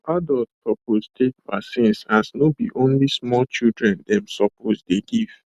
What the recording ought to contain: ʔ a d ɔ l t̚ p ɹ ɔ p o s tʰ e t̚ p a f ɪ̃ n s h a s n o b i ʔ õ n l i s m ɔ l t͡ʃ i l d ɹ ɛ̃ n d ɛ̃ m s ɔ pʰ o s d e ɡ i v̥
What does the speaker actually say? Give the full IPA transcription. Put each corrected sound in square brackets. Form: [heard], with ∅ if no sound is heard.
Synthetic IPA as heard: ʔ a d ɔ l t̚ p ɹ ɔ p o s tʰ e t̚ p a [s] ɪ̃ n s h a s n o b i ʔ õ n l i s m ɔ l t͡ʃ i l d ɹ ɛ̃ n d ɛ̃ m s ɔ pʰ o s d e ɡ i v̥